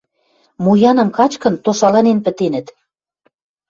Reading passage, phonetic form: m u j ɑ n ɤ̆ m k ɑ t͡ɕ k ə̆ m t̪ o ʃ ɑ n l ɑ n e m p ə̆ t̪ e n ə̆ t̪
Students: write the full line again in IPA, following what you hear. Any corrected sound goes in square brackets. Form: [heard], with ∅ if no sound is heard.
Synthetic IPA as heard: m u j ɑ n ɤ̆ m k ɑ t͡ɕ k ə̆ [n] t̪ o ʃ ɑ [∅] l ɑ n e [n] p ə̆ t̪ e n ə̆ t̪